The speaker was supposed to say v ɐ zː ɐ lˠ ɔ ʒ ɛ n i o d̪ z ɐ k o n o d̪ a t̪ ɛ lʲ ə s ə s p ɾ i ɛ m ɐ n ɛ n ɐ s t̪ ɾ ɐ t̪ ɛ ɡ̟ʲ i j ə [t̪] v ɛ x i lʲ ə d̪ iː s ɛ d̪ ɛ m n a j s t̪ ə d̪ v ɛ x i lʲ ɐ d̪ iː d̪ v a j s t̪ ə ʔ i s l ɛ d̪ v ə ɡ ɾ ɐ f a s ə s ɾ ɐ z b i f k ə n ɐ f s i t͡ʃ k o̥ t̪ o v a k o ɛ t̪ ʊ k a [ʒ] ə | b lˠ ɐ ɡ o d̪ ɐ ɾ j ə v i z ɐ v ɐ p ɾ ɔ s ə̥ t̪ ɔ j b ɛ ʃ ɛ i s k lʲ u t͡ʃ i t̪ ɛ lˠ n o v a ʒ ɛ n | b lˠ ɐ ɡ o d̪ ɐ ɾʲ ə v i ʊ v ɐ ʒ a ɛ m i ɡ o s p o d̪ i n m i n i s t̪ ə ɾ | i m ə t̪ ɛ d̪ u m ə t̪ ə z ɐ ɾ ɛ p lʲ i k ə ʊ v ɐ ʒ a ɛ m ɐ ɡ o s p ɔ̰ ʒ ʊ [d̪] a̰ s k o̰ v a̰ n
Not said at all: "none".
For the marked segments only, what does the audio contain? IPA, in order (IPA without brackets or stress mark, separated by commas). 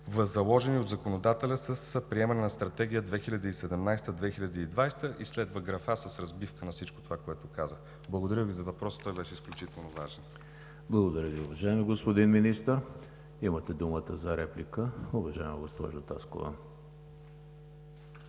d̪, z, t̪